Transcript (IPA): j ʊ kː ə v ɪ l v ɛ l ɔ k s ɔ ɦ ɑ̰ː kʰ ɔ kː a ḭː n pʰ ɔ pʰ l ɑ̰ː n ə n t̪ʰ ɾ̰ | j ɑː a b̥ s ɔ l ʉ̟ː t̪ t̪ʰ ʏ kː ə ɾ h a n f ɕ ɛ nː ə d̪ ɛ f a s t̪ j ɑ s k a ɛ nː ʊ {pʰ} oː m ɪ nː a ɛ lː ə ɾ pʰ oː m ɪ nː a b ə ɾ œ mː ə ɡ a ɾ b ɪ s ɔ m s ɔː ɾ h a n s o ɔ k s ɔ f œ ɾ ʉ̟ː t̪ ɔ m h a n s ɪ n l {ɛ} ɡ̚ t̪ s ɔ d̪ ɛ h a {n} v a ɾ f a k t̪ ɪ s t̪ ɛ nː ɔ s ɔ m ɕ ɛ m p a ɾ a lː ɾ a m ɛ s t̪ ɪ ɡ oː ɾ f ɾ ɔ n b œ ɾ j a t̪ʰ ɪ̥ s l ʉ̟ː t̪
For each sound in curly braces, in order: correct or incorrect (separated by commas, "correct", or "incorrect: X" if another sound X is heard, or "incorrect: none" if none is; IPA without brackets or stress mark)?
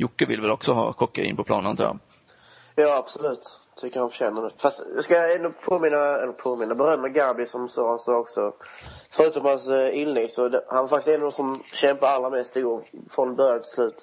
correct, correct, correct